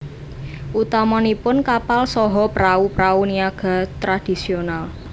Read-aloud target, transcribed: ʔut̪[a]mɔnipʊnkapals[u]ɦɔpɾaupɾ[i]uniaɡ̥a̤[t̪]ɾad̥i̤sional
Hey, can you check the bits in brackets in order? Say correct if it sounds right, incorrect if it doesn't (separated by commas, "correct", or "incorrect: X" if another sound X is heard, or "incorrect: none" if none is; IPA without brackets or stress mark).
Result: correct, incorrect: ɔ, incorrect: a, correct